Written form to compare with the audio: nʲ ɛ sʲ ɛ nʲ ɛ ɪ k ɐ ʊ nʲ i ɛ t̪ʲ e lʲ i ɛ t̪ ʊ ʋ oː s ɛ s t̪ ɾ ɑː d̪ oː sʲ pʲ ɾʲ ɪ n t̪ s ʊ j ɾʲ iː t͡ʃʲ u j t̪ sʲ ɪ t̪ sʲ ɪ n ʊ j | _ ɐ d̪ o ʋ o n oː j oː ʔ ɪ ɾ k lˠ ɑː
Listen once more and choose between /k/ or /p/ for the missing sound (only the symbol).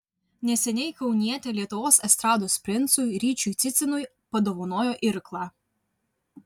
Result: p